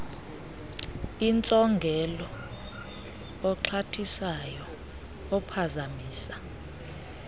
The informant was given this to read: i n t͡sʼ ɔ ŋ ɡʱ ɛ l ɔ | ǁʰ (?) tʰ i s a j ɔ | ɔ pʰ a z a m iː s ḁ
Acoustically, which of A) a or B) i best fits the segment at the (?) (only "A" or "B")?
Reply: A